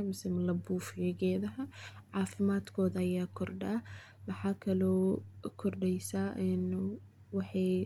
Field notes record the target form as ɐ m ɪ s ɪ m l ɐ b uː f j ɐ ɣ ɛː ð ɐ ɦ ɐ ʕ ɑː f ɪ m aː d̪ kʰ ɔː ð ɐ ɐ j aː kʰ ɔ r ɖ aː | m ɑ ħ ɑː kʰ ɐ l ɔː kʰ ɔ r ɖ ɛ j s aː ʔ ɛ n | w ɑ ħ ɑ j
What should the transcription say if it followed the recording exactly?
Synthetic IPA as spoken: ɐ m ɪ s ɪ m l ɐ b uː f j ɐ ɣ ɛː ð ɐ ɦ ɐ ʕ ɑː f ɪ m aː d̪ kʰ ɔː ð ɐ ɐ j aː kʰ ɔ r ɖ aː | m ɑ ħ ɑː kʰ ɐ l ɔː kʰ ɔ r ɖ ɛ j s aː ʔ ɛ n | w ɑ ħ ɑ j